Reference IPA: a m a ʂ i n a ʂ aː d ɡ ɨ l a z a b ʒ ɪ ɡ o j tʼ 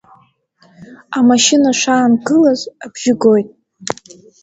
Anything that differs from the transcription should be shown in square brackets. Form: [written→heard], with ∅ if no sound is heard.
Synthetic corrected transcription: a m a [ʂ→ʃ] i n a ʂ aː [d→n] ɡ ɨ l a z a b ʒ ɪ ɡ o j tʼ